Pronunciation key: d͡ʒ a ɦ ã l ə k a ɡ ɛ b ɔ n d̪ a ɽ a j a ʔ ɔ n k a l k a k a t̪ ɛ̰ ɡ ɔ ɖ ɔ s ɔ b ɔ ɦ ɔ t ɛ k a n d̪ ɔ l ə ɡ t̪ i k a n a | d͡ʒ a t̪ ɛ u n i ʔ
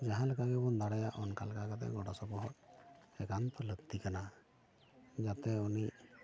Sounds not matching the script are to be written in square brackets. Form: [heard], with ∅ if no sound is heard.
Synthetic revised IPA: d͡ʒ a ɦ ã l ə k a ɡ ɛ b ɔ n d̪ a ɽ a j a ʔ ɔ n k a l k a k a t̪ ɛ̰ ɡ ɔ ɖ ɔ s ɔ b ɔ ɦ ɔ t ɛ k a n [t̪] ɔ l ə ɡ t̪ i k a n a | d͡ʒ a t̪ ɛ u n i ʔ